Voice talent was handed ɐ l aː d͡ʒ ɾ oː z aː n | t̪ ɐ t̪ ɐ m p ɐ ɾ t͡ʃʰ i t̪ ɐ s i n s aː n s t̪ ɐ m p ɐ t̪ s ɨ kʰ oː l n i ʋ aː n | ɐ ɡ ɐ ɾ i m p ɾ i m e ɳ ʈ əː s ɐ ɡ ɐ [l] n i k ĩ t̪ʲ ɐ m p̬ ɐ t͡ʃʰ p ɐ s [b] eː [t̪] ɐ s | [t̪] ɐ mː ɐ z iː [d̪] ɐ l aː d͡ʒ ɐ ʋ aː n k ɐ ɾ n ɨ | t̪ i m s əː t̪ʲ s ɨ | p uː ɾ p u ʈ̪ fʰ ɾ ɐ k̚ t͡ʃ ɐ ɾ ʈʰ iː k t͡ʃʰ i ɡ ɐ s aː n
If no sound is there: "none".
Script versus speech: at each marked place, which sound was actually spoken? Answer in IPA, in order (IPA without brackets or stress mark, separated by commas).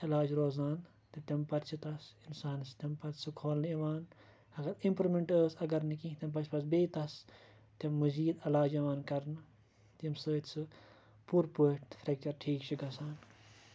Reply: ɾ, b, t̪, t̪, d̪